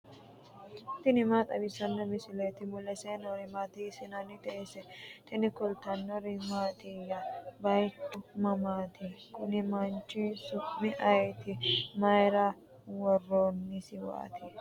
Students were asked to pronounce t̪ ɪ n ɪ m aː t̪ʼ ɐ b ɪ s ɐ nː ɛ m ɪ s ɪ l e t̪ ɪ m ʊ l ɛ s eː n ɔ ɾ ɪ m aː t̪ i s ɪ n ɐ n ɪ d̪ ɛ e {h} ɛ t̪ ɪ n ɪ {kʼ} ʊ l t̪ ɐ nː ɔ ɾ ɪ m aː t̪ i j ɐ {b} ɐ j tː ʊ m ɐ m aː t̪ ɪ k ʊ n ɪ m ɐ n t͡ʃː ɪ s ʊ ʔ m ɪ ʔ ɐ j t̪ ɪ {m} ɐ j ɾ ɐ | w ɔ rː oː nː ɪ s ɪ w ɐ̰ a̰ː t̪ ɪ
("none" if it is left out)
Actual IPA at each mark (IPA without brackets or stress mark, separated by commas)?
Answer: s, k, b, m